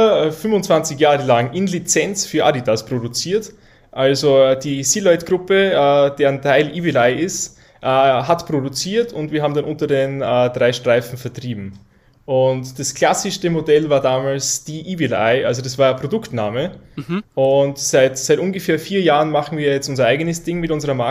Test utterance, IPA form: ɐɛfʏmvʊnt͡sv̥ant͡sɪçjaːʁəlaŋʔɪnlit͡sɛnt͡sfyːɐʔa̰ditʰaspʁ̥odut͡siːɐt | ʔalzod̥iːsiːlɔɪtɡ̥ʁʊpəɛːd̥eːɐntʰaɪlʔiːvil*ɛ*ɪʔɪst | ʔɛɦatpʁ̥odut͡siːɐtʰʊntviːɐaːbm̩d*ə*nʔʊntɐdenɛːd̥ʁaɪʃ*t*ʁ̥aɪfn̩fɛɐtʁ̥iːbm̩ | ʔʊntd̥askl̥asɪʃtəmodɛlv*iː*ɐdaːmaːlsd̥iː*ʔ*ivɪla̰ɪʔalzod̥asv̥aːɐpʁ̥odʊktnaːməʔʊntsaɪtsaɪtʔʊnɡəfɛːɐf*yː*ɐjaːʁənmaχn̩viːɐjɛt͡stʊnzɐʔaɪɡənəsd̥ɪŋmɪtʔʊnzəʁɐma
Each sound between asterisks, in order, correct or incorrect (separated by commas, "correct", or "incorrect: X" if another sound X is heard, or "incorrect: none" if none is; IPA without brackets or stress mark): incorrect: a, incorrect: a, correct, incorrect: aː, correct, incorrect: iː